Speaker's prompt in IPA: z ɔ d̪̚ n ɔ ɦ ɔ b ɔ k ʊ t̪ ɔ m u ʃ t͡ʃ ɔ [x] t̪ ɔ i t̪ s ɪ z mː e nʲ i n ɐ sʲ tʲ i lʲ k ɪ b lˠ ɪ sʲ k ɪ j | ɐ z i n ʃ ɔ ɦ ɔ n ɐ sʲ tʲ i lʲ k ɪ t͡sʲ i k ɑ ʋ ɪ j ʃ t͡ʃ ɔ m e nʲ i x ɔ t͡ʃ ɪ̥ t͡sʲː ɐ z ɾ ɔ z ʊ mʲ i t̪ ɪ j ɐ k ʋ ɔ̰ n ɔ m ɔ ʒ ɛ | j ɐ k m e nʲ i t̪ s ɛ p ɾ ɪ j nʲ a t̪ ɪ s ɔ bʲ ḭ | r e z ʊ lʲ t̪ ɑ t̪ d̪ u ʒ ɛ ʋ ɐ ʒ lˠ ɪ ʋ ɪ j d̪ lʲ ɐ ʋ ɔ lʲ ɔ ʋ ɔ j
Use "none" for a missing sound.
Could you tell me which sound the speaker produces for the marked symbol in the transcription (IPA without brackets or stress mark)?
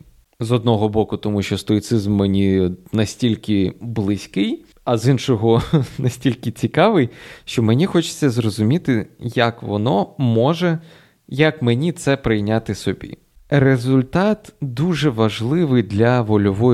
s